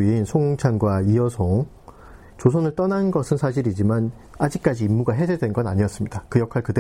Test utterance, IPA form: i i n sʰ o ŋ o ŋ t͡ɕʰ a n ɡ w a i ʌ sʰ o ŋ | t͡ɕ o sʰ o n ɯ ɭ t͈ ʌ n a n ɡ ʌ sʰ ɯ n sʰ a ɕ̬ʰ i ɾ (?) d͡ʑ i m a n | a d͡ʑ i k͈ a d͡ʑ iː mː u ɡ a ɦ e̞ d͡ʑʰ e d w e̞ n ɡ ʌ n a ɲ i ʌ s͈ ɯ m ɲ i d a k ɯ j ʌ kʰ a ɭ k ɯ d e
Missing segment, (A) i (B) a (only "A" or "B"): A